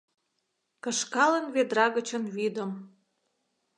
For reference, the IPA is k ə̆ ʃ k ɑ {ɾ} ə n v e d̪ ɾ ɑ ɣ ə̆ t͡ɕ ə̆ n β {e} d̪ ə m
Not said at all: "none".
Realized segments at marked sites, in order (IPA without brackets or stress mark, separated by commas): l, i